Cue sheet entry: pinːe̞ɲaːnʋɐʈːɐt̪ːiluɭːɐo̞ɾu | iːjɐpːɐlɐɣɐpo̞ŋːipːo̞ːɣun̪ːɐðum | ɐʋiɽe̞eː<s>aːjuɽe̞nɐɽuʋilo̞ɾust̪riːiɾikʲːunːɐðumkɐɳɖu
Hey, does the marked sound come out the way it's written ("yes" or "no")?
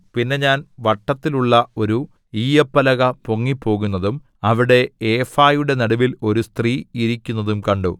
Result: no